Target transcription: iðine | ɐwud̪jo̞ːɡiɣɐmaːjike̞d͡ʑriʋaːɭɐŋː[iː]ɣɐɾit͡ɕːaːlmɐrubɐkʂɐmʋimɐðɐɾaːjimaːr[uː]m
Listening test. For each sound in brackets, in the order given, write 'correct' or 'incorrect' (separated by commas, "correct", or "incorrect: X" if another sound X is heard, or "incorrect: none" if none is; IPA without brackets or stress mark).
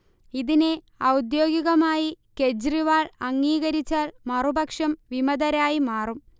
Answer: correct, incorrect: u